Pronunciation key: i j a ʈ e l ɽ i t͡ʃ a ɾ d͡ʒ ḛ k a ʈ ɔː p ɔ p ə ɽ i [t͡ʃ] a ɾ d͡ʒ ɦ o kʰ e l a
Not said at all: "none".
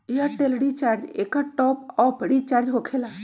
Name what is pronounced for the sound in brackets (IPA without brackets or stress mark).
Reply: t͡ʃ